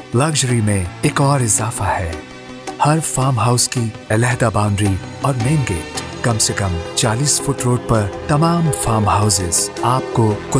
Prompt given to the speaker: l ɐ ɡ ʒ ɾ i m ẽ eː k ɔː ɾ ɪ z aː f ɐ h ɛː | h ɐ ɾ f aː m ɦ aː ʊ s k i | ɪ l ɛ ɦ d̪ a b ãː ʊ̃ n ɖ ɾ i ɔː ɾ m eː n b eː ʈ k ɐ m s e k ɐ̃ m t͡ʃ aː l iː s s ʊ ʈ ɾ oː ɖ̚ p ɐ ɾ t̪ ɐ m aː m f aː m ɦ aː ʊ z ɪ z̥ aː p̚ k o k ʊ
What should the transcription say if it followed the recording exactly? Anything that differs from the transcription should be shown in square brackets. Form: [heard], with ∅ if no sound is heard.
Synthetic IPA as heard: l ɐ ɡ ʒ ɾ i m ẽ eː k ɔː ɾ ɪ z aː f [a] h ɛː | h ɐ ɾ f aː m ɦ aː ʊ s k i | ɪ l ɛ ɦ d̪ a b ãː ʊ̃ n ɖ ɾ i ɔː ɾ m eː n [ɡ] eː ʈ k ɐ m s e k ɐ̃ m t͡ʃ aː l iː s [f] ʊ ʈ ɾ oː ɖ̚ p ɐ ɾ t̪ ɐ m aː m f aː m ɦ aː ʊ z ɪ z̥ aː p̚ k o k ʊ